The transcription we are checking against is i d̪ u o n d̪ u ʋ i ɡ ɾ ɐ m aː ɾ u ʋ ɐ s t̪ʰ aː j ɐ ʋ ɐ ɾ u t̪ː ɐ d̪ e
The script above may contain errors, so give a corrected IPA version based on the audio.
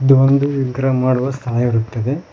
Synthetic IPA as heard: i d̪ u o n d̪ u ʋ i ɡ ɾ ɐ m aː ɽ u ʋ ɐ s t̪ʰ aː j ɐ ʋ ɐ ɾ u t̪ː ɐ d̪ e